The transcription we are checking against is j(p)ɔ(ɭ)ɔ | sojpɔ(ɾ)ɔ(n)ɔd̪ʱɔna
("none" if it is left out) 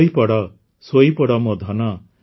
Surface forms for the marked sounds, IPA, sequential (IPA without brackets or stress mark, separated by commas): p, ɽ, ɽ, m